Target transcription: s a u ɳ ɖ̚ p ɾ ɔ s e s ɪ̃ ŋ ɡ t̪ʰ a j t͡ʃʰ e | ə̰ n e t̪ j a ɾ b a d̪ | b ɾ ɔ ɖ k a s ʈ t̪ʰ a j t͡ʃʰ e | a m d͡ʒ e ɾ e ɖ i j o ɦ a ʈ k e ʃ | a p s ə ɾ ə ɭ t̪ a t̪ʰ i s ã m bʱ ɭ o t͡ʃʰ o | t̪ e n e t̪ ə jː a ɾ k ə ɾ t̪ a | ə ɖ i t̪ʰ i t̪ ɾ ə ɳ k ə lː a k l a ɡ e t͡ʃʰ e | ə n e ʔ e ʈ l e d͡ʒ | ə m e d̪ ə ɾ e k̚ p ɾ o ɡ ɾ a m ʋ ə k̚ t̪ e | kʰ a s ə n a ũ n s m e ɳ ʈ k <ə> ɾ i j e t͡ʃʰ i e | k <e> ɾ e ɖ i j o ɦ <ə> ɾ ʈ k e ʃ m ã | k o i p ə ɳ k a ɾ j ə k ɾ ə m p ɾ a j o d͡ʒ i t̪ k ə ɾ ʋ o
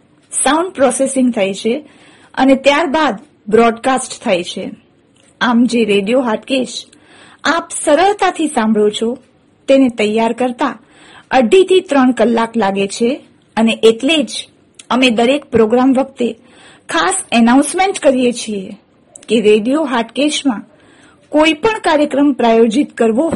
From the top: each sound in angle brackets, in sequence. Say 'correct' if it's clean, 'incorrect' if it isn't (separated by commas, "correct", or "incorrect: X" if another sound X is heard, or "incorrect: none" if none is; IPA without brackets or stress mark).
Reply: correct, correct, incorrect: a